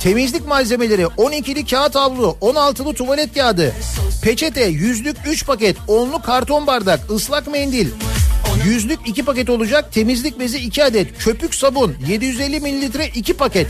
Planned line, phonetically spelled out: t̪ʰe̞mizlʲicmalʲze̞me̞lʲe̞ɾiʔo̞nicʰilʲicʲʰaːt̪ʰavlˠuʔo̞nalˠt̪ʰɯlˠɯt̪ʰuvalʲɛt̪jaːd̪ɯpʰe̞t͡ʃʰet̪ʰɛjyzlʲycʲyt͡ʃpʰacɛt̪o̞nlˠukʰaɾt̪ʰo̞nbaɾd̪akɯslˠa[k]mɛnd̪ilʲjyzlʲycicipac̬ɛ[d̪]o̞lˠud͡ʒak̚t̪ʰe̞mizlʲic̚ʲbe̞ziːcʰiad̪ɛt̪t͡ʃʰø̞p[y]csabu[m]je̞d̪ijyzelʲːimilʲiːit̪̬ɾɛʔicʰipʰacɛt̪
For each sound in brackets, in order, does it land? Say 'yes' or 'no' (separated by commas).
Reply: yes, no, yes, no